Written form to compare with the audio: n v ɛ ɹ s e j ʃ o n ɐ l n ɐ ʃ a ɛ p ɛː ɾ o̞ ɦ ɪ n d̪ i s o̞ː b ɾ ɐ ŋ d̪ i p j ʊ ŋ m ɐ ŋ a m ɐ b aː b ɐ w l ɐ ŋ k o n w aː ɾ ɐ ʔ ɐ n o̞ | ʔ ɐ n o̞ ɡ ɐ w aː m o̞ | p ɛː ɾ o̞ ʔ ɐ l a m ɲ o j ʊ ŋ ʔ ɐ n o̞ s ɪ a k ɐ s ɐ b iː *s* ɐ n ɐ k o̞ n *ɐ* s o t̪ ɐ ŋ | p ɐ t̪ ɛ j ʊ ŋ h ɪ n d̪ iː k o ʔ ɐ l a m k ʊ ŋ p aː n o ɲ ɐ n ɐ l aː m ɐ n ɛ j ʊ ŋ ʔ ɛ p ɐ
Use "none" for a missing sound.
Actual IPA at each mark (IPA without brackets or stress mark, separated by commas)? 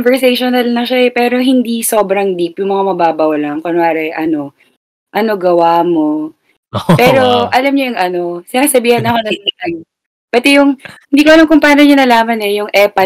h, ɐ